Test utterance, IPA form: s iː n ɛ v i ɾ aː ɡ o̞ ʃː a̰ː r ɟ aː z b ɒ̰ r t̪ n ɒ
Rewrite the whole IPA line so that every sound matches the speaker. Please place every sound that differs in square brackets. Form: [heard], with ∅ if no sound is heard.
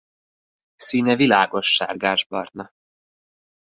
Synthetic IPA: s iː n ɛ v i [l] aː ɡ o̞ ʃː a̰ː r [ɡ] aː [ʒ] b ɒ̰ r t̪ n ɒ